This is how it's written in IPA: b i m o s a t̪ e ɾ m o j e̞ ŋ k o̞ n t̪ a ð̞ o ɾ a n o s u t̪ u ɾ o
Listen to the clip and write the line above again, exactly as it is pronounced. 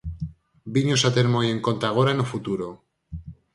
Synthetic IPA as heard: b i ɲ o s a t̪ e ɾ m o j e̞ ŋ k o̞ n t̪ a ɣ̞ o ɾ a n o f u t̪ u ɾ o